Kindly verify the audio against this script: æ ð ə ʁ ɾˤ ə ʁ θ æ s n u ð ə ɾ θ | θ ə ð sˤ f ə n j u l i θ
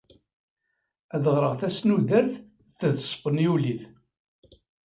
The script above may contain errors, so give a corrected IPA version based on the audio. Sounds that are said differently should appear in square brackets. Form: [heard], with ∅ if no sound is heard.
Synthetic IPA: æ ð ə ʁ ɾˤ ə ʁ θ æ s n u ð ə ɾ θ | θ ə ð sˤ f ə n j u l i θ